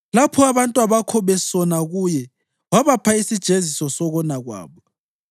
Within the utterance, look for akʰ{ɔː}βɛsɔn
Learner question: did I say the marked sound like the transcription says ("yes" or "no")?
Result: no